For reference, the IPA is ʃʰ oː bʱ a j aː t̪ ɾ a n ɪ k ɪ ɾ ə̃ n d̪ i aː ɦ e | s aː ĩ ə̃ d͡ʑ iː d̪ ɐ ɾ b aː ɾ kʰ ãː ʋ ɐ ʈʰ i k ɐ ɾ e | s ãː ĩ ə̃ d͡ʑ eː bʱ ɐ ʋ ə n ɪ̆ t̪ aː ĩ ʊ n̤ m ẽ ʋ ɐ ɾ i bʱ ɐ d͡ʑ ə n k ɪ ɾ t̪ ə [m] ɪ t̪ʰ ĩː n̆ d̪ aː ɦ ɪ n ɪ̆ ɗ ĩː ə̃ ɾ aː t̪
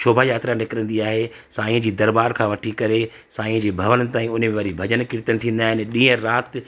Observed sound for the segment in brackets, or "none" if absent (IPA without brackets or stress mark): n